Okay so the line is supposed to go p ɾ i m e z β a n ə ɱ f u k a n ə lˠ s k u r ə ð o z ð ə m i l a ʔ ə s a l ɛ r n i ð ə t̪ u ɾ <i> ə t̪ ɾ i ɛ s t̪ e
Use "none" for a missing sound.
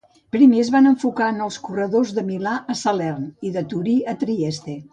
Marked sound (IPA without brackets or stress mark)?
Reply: i